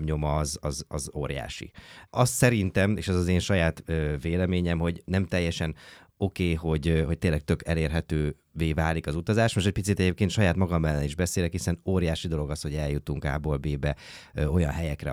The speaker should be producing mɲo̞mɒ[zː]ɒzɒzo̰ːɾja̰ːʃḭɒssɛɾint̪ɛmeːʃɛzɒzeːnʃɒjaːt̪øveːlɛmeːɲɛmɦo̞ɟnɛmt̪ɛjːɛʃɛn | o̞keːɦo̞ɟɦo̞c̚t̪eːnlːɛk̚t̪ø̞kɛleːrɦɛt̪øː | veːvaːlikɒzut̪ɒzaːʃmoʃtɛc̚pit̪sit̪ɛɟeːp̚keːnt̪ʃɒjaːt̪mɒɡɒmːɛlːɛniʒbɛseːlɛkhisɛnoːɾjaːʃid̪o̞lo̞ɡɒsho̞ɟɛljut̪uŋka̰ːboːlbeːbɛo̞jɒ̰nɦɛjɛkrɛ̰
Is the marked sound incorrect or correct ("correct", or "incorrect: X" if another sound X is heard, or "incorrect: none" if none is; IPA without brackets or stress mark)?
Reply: incorrect: z